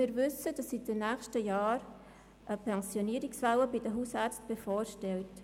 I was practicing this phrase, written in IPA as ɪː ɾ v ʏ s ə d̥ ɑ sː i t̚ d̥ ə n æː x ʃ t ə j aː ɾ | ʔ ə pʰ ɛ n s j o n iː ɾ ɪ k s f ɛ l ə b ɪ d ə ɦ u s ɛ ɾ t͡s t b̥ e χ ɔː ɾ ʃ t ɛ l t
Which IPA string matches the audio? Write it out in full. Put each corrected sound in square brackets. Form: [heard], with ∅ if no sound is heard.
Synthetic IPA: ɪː ɾ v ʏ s ə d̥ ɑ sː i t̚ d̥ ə n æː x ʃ t ə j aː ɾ | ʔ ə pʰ ɛ n s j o n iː ɾ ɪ k s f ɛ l ə b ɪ d ə ɦ u s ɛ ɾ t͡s t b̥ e [f] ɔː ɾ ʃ t ɛ l t